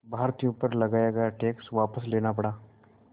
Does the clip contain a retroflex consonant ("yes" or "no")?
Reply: yes